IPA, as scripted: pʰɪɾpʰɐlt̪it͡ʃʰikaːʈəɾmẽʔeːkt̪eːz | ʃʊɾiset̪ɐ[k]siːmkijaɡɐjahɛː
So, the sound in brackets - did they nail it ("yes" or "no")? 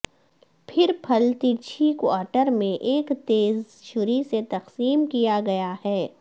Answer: no